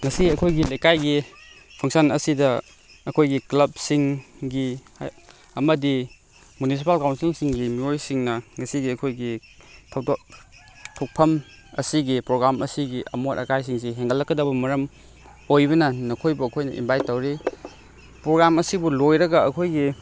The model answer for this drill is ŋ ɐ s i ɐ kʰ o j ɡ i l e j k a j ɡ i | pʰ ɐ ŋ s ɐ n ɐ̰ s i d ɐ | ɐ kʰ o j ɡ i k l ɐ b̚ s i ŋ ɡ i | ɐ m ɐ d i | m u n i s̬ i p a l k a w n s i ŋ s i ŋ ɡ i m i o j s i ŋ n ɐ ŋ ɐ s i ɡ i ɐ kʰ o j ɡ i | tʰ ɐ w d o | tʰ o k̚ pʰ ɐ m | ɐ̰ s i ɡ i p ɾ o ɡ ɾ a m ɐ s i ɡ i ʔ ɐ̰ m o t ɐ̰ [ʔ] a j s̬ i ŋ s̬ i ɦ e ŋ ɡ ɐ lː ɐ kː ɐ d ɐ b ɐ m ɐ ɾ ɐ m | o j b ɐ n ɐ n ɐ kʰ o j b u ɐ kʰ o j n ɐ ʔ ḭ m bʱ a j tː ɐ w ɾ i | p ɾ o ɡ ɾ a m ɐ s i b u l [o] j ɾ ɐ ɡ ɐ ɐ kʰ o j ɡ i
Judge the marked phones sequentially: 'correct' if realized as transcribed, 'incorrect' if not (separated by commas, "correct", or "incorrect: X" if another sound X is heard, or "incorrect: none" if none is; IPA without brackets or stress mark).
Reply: incorrect: k, correct